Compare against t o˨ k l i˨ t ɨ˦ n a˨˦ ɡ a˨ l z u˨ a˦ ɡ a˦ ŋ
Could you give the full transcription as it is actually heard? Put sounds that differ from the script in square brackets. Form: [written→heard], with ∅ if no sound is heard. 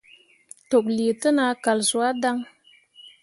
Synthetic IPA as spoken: t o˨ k l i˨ t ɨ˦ n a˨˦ [ɡ→k] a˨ l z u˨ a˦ [ɡ→d] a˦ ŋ